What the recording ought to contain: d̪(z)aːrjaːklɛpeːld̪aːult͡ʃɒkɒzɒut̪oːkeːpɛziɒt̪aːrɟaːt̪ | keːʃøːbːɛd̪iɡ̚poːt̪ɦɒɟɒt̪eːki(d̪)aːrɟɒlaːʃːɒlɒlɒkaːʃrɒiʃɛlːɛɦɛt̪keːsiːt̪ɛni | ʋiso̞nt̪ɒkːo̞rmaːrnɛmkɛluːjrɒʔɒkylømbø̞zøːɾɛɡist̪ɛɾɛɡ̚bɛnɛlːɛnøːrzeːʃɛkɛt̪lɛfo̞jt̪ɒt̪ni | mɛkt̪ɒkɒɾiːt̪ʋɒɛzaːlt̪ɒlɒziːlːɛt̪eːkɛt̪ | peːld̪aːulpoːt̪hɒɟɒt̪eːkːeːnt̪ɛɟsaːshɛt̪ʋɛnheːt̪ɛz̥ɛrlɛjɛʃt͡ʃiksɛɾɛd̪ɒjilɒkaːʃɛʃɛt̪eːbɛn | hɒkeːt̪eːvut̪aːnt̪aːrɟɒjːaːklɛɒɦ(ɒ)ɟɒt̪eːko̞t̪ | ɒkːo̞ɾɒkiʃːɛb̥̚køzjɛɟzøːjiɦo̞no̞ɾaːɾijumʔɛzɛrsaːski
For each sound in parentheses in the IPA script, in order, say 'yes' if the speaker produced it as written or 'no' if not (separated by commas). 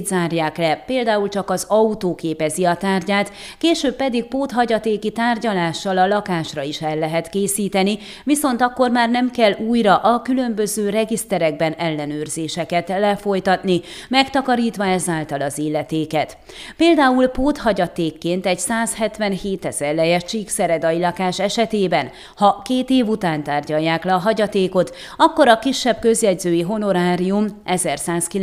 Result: yes, no, yes